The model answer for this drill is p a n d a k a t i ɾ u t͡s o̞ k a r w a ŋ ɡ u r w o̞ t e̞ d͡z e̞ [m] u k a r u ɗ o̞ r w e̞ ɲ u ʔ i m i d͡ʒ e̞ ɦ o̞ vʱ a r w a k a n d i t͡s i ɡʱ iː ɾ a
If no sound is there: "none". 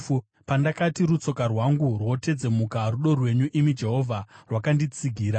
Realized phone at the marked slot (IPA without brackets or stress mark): m